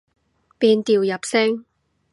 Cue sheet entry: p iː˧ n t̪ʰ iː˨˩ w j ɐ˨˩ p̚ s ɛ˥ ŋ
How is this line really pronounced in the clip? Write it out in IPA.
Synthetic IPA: p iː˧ n t̪ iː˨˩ w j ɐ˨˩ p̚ s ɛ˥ ŋ

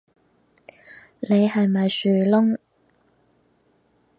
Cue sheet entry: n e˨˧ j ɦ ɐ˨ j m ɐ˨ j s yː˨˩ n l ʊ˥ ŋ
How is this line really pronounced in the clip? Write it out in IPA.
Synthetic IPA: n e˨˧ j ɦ ɐ˨ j m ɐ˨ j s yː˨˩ l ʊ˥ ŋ

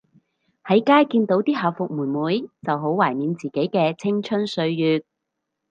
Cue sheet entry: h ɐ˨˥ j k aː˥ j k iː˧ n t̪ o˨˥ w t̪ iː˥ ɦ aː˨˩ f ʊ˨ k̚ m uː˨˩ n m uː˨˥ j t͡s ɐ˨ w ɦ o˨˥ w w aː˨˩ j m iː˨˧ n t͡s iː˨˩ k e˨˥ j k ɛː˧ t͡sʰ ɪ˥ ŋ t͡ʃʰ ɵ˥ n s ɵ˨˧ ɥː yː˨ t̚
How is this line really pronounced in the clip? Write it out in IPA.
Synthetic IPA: h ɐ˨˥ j k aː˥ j k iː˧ n t̪ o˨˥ w t̪ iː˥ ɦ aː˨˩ f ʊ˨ k̚ m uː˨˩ n m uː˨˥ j t͡s ɐ˨ w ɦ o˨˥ w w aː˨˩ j m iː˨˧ n t͡s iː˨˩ k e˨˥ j k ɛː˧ t͡sʰ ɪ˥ ŋ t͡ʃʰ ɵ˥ n s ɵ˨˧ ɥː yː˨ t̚

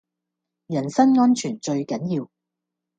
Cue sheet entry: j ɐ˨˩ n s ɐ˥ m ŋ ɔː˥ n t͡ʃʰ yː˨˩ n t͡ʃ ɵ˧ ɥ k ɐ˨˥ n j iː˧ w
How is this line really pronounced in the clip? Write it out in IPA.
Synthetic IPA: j ɐ˨˩ n s ɐ˥ n ŋ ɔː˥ n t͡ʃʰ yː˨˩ n t͡ʃ ɵ˧ ɥ k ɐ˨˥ n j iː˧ w

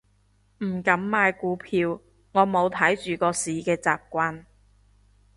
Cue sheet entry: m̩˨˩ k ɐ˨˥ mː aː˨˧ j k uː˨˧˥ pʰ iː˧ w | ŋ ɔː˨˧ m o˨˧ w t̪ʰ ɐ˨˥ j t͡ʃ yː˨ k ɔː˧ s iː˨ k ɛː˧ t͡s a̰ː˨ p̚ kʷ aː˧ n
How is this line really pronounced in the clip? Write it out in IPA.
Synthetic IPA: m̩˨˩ k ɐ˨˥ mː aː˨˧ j k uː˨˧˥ pʰ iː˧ w | ŋ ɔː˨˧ m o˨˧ w t̪ʰ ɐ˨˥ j t͡ʃ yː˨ k ɔː˧ s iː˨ k ɛː˧ t͡s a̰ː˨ p̚ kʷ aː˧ n

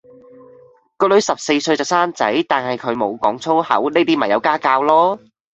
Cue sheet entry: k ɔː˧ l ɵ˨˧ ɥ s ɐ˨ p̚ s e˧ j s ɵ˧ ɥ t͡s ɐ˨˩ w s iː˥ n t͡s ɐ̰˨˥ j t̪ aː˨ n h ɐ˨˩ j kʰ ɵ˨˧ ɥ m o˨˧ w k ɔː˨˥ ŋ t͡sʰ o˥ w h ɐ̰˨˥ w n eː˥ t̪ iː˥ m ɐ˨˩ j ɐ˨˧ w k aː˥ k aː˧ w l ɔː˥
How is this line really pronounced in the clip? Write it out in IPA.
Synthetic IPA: k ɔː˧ l ɵ˨˧ ɥ s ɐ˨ p̚ s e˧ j s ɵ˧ ɥ t͡s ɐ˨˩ w s aː˥ n t͡s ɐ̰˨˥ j t̪ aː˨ n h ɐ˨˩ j kʰ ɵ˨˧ ɥ m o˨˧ w k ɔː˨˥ ŋ t͡sʰ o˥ w h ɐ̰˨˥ w n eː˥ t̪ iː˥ m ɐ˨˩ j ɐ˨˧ w k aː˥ k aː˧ w l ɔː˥

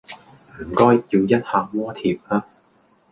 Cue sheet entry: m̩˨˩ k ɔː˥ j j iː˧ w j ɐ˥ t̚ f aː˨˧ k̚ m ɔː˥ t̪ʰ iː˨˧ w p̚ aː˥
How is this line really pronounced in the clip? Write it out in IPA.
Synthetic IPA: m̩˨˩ k ɔː˥ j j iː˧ w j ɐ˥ t̚ h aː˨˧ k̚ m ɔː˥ t̪ʰ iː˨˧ p̚ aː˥

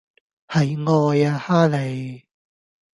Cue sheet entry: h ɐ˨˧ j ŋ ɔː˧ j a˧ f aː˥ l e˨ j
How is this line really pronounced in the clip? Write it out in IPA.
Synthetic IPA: h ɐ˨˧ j ŋ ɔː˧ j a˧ h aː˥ l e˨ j

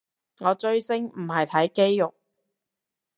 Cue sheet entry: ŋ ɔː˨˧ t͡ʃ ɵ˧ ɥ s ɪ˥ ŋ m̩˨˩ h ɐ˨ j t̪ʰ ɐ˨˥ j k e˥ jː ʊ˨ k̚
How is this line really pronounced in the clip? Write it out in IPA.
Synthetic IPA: ŋ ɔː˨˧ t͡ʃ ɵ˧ ɥ s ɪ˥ ŋ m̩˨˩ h ɐ˨ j t̪ʰ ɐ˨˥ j k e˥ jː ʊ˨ k̚

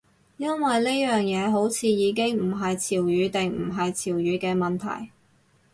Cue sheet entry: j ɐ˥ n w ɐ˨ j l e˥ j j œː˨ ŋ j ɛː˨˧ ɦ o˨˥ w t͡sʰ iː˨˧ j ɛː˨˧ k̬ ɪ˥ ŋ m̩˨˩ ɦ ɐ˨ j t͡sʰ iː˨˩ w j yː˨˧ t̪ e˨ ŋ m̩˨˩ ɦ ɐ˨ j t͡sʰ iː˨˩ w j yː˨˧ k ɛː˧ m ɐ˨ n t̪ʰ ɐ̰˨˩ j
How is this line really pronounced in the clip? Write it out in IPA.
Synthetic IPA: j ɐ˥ n w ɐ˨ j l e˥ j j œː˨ ŋ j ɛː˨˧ ɦ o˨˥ w t͡sʰ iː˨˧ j iː˨˧ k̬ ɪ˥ ŋ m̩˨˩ ɦ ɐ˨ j t͡sʰ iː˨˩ w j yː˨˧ t̪ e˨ ŋ m̩˨˩ ɦ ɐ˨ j t͡sʰ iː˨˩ w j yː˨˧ k ɛː˧ m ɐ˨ n t̪ʰ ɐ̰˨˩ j

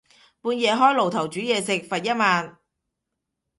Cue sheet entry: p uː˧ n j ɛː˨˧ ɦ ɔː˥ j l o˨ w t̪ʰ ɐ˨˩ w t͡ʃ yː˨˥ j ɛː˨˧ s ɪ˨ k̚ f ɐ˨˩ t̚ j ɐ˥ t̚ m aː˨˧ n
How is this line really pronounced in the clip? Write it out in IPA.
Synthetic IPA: p uː˧ n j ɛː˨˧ ɦ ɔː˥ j l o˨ w t̪ʰ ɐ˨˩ w t͡ʃ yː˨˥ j ɛː˨˧ s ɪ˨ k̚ f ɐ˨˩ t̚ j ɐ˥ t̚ m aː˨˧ n

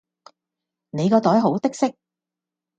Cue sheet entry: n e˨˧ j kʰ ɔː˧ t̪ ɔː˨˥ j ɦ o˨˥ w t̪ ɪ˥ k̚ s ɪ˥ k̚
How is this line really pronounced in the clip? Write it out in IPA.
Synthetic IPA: n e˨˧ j k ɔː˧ t̪ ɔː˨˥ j ɦ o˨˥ w t̪ ɪ˥ k̚ s ɪ˥ k̚

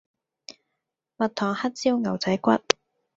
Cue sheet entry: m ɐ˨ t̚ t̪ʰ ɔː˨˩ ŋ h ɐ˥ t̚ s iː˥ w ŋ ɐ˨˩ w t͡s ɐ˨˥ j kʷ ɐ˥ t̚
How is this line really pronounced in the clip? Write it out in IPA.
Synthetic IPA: m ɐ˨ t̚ t̪ʰ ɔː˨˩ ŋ h ɐ˥ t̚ t͡s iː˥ w ŋ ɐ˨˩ w t͡s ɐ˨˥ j kʷ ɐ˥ t̚

